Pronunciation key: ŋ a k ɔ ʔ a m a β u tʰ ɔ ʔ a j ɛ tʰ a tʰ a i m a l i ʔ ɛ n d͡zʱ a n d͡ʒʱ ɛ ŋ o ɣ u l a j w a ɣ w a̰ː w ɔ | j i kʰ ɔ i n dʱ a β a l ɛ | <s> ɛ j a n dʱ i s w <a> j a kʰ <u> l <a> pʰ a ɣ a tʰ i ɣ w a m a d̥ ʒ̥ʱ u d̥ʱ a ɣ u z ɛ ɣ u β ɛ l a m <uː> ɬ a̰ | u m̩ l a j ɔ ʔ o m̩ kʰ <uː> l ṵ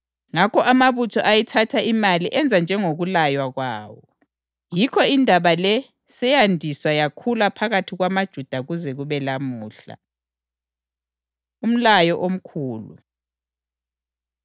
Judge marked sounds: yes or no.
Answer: yes, yes, yes, yes, yes, yes

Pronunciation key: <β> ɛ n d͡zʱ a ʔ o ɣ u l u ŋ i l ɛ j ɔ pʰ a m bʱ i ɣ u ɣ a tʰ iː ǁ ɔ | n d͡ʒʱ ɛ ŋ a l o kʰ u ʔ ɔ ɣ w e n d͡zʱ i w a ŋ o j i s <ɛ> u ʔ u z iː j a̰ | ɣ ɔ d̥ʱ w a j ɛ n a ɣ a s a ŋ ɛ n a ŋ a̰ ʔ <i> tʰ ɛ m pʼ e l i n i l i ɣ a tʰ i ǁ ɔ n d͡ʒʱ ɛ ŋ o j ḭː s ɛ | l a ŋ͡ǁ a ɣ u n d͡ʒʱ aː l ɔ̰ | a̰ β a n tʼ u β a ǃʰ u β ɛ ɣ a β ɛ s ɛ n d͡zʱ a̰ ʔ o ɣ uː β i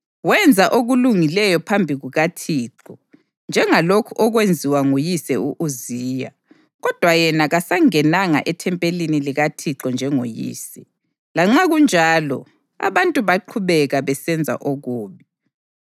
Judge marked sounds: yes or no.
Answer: no, yes, no

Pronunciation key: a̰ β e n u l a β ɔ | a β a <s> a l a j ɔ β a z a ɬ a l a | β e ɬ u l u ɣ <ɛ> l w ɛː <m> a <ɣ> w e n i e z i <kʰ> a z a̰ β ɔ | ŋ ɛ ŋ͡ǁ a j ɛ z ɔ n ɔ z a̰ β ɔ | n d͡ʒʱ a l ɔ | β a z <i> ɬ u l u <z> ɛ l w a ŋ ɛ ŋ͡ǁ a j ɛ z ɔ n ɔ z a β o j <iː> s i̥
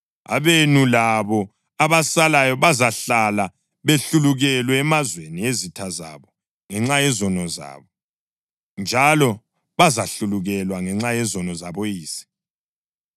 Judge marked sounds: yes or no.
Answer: yes, yes, yes, no, no, no, no, yes

